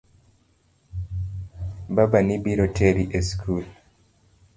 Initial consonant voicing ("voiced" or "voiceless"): voiced